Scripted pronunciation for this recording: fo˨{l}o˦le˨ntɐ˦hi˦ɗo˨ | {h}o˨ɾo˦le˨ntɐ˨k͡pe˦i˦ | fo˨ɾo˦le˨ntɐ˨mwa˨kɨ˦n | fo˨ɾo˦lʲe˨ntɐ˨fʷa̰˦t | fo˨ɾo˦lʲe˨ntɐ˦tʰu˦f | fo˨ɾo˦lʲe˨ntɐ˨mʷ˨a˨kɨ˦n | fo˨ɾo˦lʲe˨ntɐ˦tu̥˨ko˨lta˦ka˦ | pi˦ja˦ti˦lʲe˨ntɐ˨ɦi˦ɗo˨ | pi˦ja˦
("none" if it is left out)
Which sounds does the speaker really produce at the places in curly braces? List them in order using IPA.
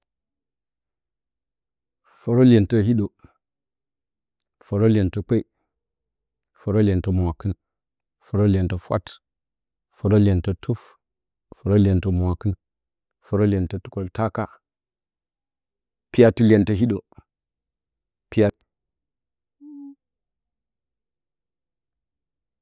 ɾ, f

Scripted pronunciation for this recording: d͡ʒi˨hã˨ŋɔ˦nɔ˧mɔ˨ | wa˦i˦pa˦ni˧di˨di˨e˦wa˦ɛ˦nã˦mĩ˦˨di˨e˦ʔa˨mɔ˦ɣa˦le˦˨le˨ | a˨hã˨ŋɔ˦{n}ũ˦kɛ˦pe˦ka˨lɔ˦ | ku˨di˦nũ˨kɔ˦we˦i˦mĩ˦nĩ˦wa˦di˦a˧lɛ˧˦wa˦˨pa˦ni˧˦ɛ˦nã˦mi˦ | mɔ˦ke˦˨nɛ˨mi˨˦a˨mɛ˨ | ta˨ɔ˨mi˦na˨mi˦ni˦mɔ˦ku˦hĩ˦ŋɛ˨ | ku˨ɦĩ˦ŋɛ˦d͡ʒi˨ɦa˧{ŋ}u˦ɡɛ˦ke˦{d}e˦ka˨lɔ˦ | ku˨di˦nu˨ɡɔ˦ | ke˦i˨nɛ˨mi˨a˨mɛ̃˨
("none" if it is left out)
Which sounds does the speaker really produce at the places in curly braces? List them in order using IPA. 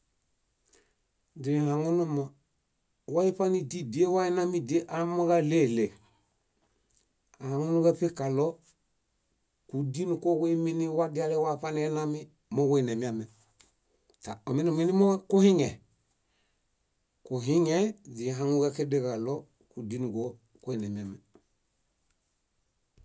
n, ŋ, d

